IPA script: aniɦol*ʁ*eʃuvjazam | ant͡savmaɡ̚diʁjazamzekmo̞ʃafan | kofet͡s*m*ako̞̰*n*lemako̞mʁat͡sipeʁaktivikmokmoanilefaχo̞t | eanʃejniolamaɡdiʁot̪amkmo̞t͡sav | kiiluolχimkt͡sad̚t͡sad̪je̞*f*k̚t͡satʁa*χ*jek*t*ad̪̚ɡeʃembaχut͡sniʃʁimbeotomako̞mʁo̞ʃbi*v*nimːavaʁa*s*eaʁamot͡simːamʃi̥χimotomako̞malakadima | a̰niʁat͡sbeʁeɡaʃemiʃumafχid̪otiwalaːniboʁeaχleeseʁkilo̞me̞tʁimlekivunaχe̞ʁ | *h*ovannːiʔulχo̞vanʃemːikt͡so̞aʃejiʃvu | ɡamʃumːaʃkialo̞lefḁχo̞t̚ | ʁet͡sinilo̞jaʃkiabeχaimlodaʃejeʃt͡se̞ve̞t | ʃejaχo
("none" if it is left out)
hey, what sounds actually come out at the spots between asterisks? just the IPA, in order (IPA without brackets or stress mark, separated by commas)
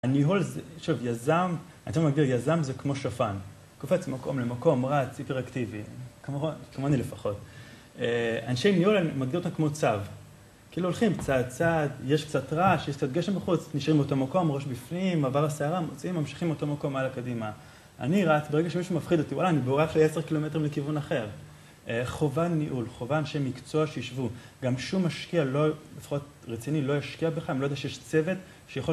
z, m, m, ʃ, ʃ, t͡s, f, s, χ